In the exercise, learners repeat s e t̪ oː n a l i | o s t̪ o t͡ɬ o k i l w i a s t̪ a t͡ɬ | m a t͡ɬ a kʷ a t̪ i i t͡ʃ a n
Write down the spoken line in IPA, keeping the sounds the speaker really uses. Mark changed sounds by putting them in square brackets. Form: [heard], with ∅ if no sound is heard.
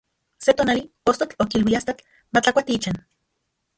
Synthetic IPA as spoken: s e t̪ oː n a l i | o s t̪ o t͡ɬ o k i l w i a s t̪ a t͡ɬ | m a t͡ɬ a kʷ a t̪ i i t͡ʃ a n